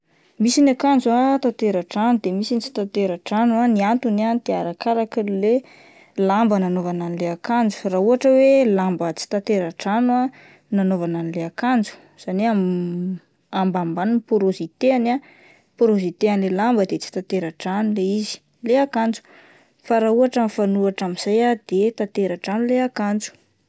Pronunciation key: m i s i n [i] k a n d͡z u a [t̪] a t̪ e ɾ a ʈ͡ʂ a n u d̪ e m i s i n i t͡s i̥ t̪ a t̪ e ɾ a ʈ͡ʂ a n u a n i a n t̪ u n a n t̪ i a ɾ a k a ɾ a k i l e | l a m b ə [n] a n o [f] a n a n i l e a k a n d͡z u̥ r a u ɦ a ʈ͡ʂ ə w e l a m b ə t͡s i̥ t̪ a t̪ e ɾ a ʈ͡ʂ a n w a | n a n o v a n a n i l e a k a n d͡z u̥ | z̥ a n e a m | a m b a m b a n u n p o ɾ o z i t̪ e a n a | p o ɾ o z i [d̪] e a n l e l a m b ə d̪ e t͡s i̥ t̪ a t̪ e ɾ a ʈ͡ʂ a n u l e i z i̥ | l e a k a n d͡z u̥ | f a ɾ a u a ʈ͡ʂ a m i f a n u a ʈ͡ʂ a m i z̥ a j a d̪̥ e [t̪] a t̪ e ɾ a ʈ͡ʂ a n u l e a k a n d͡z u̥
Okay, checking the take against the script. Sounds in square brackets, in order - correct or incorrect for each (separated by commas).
incorrect, correct, correct, incorrect, incorrect, correct